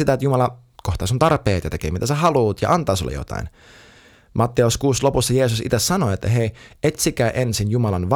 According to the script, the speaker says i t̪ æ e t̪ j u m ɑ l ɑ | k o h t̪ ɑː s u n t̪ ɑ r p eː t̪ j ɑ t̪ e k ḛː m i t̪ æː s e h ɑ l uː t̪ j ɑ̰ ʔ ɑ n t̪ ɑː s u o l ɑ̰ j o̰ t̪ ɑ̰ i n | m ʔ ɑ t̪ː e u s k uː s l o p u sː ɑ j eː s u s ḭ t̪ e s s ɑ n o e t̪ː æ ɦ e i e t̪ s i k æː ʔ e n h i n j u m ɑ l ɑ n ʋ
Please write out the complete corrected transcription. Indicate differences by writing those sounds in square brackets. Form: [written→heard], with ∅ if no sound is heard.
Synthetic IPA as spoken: i t̪ æ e t̪ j u m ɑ l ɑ | k o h t̪ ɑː s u n t̪ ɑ r p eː t̪ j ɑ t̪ e k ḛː m i t̪ [æː→æ] s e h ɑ l uː t̪ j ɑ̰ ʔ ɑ n t̪ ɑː s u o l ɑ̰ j o̰ t̪ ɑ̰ i n | m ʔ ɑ t̪ː e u s k uː s l o p u sː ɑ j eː s u s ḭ t̪ e s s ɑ n o e t̪ː æ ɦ e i e t̪ s i k æː ʔ e n [h→s] i n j u m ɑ l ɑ n ʋ